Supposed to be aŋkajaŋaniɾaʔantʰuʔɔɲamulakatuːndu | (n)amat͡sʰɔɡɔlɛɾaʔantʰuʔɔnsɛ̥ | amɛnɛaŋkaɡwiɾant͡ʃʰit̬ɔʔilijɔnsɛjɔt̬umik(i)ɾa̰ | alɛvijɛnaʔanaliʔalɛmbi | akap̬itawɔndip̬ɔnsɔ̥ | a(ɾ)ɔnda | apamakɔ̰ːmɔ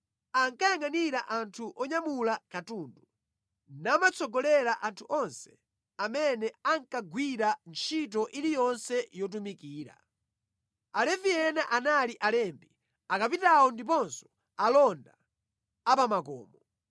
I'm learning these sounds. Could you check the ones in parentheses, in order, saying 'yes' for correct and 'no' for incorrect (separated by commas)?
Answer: yes, no, no